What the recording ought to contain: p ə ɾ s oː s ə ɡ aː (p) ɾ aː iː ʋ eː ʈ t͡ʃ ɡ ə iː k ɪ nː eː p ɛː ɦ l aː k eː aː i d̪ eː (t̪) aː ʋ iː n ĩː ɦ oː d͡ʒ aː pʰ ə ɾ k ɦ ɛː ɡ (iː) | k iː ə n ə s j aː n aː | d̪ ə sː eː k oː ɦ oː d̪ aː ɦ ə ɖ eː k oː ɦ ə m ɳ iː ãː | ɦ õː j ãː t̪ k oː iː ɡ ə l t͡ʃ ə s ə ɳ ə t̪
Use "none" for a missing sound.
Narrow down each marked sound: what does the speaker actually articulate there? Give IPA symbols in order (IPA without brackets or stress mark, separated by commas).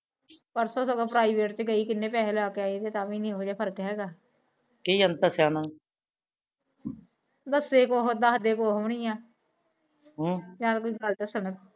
p, t̪, aː